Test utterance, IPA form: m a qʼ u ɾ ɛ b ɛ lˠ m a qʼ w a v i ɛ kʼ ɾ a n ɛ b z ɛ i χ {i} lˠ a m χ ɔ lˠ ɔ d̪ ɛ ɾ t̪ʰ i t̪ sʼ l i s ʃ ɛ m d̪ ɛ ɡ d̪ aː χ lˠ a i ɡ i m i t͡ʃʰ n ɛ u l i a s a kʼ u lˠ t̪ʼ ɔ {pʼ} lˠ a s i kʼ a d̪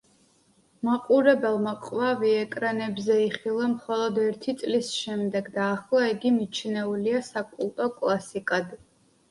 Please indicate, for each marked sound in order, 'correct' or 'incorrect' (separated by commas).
correct, incorrect